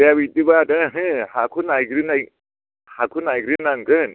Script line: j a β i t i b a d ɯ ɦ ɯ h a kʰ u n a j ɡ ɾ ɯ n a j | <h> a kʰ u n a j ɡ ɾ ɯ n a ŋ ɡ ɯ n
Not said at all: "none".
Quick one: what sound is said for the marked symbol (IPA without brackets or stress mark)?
h